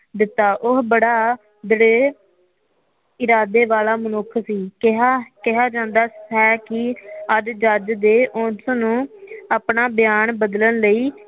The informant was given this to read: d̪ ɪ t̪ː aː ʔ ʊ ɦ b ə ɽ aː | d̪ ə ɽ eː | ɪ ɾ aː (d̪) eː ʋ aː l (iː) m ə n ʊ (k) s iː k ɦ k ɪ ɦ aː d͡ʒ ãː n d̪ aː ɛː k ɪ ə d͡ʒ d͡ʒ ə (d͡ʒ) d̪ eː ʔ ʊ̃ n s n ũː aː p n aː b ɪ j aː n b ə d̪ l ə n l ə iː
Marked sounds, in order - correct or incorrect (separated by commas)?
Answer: correct, incorrect, incorrect, correct